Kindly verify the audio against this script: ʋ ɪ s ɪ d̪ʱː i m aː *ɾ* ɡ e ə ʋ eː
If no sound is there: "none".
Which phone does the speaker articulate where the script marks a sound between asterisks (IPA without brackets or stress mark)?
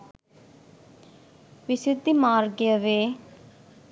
ɾ